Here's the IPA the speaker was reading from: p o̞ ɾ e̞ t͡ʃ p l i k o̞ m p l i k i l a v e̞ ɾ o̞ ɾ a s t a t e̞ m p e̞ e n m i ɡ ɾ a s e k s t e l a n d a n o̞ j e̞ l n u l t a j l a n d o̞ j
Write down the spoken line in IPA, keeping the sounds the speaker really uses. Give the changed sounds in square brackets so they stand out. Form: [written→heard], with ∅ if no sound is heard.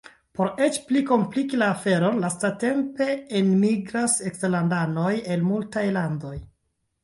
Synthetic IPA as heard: p o̞ ɾ e̞ t͡ʃ p l i k o̞ m p l i k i l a [v→f] e̞ ɾ o̞ [ɾ→l] a s t a t e̞ m p e̞ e n m i ɡ ɾ a s e k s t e l a n d a n o̞ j e̞ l [n→m] u l t a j l a n d o̞ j